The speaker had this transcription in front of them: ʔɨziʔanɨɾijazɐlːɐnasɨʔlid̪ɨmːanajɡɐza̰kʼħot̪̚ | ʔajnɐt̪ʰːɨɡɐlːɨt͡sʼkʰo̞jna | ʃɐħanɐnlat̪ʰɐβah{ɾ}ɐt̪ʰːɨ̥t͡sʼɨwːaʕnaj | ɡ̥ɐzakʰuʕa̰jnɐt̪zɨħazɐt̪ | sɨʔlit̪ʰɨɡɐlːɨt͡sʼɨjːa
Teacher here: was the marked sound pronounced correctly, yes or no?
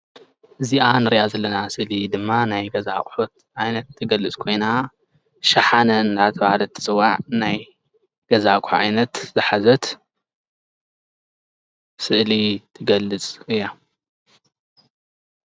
no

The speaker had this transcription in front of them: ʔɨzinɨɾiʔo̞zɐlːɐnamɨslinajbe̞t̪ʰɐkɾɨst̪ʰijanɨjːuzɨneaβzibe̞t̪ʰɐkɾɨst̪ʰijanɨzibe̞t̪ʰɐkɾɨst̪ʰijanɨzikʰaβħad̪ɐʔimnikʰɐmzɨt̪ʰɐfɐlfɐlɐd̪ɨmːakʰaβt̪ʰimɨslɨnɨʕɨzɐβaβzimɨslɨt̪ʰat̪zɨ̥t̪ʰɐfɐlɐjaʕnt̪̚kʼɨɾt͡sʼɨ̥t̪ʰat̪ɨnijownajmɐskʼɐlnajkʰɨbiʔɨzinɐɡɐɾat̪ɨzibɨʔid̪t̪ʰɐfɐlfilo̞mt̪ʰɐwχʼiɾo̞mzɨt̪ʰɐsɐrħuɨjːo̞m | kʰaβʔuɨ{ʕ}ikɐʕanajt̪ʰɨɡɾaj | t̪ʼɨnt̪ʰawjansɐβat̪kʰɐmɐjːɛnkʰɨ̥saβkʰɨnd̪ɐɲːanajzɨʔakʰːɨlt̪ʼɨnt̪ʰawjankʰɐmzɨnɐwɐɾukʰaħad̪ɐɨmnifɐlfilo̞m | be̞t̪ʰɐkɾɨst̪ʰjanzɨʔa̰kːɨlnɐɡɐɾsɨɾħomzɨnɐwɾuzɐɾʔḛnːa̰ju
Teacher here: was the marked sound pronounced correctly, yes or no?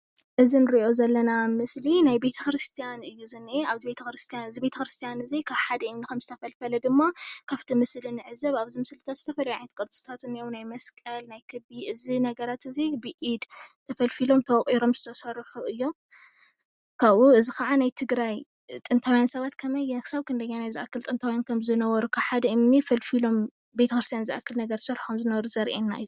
no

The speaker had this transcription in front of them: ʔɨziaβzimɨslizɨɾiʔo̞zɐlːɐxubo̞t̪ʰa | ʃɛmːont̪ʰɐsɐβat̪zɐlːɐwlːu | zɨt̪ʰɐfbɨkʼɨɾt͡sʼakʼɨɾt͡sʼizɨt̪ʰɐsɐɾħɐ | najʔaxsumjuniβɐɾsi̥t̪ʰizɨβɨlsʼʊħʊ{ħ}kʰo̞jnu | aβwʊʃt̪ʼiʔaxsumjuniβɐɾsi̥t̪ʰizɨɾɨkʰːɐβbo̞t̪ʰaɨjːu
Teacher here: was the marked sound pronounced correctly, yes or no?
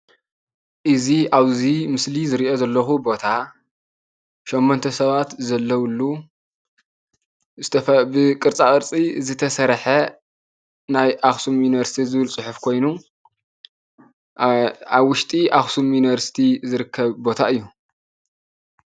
no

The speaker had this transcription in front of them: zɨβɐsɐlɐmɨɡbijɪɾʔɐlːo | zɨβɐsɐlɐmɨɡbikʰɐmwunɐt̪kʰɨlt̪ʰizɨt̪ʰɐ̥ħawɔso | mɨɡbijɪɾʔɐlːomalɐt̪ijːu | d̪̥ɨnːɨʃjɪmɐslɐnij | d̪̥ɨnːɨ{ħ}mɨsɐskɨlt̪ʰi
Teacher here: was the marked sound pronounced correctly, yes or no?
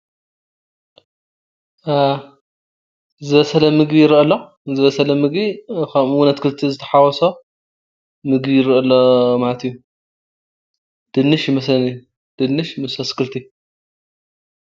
no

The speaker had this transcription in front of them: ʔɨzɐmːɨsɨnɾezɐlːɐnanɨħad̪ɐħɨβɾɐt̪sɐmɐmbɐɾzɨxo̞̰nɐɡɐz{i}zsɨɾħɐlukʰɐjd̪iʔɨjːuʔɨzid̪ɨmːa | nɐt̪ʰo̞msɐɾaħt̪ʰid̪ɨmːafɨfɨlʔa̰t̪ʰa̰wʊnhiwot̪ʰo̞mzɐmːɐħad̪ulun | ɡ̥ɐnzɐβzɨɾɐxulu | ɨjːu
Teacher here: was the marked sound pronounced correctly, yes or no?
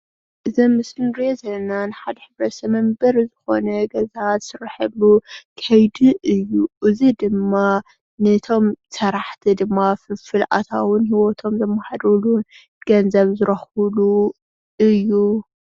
no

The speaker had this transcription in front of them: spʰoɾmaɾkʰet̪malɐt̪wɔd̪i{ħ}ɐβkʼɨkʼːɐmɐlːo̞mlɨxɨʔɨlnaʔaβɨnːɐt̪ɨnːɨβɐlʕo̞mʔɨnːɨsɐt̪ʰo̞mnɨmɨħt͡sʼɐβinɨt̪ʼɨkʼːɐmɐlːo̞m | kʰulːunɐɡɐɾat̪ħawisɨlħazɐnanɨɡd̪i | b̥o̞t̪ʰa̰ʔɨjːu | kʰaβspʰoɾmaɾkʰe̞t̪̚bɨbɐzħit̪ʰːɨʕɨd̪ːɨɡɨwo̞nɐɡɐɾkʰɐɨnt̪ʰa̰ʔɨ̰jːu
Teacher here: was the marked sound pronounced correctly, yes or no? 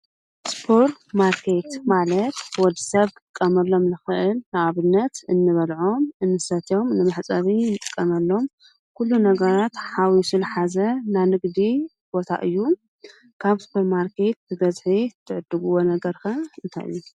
no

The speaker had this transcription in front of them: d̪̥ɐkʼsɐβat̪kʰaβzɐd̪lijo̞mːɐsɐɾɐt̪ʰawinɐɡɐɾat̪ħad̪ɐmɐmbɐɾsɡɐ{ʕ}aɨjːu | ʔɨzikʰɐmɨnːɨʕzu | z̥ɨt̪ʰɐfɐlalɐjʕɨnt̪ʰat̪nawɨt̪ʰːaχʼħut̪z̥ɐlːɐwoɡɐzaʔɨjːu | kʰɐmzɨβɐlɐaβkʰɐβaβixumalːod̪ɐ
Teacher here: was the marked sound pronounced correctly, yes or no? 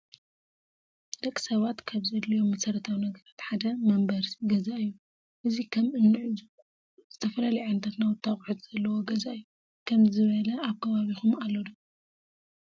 no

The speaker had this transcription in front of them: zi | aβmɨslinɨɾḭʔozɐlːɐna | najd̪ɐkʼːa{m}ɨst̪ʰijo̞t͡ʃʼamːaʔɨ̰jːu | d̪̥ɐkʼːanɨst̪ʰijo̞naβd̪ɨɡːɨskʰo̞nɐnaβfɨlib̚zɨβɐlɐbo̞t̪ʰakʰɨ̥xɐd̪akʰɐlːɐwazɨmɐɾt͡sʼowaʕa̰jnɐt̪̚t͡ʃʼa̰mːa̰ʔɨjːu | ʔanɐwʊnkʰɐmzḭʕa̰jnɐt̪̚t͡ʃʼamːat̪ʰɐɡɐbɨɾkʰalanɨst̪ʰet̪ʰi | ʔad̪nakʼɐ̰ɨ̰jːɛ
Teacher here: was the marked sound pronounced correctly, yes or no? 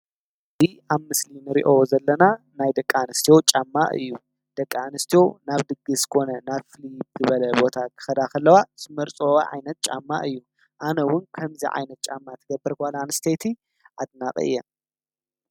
no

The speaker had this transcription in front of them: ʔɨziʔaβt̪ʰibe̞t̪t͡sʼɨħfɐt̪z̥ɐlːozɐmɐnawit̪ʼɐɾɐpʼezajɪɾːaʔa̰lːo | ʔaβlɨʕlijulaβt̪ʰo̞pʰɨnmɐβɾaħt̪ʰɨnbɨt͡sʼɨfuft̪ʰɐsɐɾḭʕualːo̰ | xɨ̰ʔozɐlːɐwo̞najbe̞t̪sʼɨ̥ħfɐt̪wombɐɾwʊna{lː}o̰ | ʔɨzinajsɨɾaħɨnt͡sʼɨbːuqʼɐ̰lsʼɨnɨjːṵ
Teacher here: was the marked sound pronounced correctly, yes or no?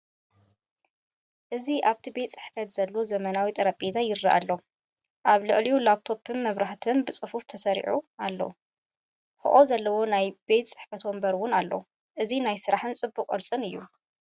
yes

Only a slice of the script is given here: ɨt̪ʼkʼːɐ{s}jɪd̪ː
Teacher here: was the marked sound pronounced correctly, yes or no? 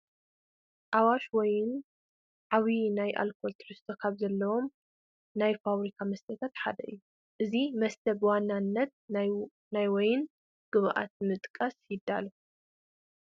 yes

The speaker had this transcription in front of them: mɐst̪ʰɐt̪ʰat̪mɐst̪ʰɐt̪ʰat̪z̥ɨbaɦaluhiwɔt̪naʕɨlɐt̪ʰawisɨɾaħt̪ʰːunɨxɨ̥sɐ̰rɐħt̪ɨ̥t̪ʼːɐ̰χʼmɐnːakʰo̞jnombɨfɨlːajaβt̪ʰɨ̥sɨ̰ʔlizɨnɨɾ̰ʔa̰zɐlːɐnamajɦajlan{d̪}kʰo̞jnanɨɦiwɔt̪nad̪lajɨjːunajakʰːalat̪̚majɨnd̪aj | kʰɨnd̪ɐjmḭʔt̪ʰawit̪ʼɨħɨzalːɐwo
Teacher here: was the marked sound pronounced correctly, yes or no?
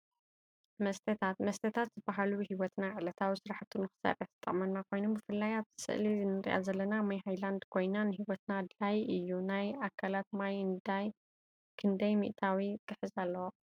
yes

